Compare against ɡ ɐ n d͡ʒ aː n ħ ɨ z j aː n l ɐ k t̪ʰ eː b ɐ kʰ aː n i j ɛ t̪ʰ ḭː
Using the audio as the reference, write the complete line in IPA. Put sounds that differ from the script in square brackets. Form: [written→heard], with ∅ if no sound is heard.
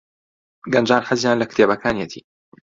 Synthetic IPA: ɡ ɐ n d͡ʒ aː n ħ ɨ z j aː n l ɐ k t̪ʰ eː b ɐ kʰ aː n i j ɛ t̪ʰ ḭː

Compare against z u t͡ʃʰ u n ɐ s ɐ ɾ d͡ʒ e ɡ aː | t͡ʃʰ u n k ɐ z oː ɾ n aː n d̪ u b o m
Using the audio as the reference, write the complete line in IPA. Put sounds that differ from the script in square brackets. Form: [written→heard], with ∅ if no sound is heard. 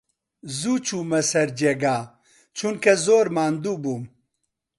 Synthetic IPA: z u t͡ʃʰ u [n→m] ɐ s ɐ ɾ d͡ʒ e ɡ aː | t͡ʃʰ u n k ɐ z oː ɾ [n→m] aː n d̪ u b [o→u] m

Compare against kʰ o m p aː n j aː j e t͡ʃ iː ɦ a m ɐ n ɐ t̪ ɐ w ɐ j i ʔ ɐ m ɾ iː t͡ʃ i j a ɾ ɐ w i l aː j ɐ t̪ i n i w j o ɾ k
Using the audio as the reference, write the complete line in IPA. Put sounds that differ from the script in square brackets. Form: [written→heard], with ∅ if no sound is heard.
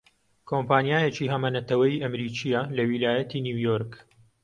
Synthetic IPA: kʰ o m p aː n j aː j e t͡ʃ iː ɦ [a→ɐ] m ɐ n ɐ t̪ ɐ w ɐ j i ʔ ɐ m ɾ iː t͡ʃ i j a [ɾ→l] ɐ w i l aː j ɐ t̪ i n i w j o ɾ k

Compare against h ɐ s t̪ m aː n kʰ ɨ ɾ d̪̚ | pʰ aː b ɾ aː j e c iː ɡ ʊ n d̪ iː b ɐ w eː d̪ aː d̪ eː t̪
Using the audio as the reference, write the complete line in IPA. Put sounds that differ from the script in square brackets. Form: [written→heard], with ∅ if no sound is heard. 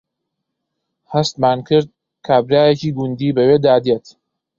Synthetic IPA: h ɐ s t̪ m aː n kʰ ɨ ɾ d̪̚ | [pʰ→kʰ] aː b ɾ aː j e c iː ɡ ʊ n d̪ iː b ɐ w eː d̪ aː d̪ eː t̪

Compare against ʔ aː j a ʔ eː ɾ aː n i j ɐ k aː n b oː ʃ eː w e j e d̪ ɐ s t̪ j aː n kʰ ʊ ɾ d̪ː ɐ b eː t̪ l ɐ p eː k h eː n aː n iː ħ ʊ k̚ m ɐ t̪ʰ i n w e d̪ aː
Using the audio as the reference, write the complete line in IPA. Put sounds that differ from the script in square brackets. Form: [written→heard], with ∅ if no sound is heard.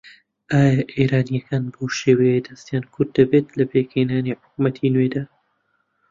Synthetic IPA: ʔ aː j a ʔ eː ɾ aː n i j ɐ k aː n b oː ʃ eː w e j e d̪ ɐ s t̪ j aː n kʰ ʊ ɾ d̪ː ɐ b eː t̪ l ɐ p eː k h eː n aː n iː ħ ʊ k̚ m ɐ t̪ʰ i n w e d̪ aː

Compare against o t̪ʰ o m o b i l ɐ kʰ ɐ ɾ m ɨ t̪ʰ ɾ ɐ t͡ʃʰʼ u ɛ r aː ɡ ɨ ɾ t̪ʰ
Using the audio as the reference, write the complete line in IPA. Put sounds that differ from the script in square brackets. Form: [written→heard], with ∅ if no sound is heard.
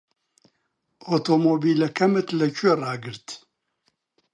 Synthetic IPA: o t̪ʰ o m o b i l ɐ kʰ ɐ [ɾ→∅] m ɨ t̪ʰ [ɾ→l] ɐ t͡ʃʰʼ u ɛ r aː ɡ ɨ ɾ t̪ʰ

